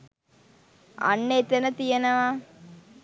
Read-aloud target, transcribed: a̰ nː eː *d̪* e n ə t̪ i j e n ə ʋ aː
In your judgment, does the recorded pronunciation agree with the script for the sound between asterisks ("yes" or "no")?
no